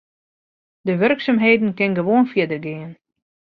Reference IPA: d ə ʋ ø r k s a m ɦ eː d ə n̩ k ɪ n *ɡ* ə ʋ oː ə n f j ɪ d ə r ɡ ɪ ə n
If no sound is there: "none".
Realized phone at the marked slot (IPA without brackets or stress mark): ɡ